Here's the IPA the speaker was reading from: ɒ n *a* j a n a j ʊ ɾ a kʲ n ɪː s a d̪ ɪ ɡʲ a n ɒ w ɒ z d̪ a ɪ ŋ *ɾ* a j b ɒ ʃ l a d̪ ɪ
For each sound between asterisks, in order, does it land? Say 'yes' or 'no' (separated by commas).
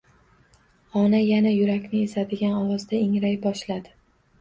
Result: yes, yes